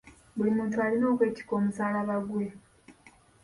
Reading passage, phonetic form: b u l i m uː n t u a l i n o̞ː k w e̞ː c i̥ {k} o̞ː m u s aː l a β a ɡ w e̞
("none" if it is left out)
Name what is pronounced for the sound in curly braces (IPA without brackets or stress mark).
k